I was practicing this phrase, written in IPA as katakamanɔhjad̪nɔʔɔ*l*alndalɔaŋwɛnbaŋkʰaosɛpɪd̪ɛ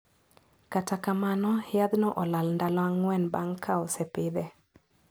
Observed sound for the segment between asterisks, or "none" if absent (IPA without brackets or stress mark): l